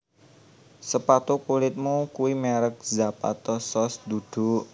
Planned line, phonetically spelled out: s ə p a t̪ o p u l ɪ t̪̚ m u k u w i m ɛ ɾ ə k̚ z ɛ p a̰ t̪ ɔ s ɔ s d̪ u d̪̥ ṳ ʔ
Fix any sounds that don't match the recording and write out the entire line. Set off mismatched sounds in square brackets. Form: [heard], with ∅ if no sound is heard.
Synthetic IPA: s ə p a t̪ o [k] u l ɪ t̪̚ m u k u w i m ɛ ɾ ə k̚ z [a] p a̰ t̪ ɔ s ɔ s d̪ u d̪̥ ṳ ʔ